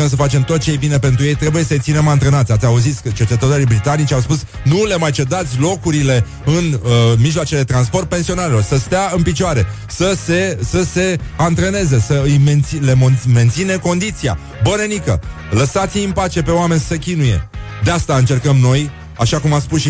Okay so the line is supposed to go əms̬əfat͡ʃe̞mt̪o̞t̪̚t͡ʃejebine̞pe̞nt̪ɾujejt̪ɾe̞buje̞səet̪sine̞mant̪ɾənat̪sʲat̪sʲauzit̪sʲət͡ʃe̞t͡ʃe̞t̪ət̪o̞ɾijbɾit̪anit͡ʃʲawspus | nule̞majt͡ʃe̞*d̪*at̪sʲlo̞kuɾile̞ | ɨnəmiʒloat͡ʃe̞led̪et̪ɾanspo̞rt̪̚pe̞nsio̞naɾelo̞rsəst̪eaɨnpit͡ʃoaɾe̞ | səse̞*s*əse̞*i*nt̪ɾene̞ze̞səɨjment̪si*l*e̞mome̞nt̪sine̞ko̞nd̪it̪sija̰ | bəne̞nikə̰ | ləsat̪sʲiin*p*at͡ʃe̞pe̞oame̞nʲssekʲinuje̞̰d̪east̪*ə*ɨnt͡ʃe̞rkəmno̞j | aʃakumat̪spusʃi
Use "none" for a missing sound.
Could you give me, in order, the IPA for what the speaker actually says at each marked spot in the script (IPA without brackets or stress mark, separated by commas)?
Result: d̪, s, a, l, p, a